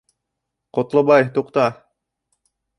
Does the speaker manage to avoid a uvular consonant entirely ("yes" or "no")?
no